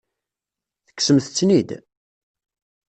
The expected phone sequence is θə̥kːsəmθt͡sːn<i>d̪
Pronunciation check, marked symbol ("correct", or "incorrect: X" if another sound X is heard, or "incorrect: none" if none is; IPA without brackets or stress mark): correct